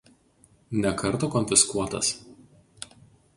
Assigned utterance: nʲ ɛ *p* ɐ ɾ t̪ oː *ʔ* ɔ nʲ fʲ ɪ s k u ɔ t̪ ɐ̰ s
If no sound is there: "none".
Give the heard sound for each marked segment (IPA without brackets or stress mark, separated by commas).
k, k